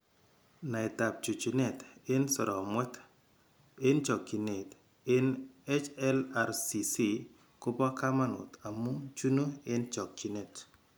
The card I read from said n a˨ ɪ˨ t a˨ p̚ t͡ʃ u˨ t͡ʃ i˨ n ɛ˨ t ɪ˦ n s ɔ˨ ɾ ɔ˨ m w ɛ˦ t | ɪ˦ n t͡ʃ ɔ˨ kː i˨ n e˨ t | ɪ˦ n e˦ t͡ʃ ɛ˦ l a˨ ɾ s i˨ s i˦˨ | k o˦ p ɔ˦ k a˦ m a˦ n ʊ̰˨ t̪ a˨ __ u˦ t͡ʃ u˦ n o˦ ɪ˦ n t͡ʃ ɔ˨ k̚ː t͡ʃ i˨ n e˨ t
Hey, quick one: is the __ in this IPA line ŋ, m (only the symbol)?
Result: m